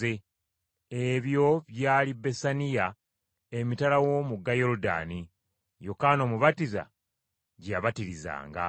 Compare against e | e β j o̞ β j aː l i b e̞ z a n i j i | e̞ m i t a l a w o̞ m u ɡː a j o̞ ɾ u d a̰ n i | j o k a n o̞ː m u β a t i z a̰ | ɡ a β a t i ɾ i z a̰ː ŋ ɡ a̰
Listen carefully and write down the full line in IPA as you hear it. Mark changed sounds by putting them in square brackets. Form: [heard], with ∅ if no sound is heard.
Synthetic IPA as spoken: e | e β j o̞ β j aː l i b e̞ [s] a n i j [a] | e̞ m i t a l a w o̞ m u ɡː a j o̞ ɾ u d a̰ n i | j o k a n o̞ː m u β a t i z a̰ | [ɟ] a β a t i ɾ i z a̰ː ŋ ɡ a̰